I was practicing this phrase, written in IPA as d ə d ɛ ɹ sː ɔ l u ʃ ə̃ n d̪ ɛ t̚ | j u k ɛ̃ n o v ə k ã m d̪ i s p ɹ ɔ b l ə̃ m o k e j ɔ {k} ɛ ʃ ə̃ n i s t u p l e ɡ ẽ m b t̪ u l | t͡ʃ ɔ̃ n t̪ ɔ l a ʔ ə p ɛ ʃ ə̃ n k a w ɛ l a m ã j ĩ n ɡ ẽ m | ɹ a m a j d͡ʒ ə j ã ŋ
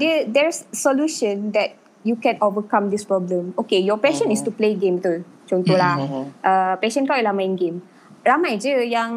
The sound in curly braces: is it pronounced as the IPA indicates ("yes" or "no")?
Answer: no